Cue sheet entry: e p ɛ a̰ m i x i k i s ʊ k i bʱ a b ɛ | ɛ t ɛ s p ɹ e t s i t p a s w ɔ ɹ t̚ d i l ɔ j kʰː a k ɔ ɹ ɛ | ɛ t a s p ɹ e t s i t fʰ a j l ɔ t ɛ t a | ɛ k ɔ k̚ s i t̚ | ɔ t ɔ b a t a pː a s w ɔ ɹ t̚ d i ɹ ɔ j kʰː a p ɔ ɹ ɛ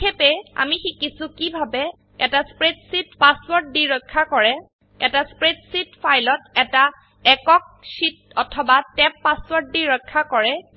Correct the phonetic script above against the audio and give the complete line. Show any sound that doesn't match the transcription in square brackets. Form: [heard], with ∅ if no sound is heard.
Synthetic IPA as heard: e p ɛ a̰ m i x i k i s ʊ k i bʱ a b ɛ | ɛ t [a] s p ɹ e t s i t p a s w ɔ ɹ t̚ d i [ɹ] ɔ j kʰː a k ɔ ɹ ɛ | ɛ t a s p ɹ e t s i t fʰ a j l ɔ t ɛ t a | ɛ k ɔ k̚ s i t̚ | ɔ [tʰ] ɔ b a t [ɛ] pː a s w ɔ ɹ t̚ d i ɹ ɔ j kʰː a [k] ɔ ɹ ɛ